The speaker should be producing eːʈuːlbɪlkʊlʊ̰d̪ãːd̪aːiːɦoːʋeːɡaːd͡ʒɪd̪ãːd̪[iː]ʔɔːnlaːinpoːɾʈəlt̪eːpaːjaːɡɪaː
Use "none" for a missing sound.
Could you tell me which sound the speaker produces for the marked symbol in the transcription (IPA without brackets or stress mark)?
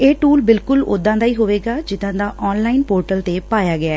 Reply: aː